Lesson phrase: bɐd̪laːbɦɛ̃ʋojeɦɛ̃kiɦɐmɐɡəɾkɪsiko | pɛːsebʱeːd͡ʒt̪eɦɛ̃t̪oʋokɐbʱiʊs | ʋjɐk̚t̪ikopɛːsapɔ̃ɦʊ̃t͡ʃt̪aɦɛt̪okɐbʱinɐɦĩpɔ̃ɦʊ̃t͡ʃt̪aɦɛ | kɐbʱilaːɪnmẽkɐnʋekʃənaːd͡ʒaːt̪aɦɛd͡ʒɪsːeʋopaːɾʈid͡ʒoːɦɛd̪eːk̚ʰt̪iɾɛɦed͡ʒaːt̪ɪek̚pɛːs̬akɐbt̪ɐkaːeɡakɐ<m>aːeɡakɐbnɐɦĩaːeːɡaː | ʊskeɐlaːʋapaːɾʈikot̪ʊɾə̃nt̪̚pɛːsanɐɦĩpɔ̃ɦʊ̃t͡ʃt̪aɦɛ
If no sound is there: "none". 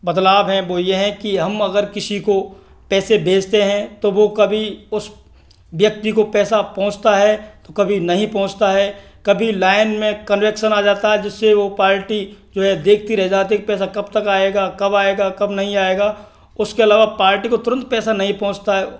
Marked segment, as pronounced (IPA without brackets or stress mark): b